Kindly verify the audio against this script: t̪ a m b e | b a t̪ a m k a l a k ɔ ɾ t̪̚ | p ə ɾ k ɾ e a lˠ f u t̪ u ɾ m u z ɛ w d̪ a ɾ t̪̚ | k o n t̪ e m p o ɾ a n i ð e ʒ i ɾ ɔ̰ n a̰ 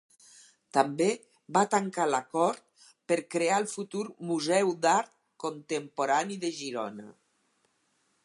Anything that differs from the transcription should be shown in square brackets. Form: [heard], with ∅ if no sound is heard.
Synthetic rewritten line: t̪ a m b e | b a t̪ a [ŋ] k a l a k ɔ ɾ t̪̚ | p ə ɾ k ɾ e a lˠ f u t̪ u ɾ m u z ɛ w d̪ a ɾ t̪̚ | k o n t̪ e m p o ɾ a n i ð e ʒ i ɾ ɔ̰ n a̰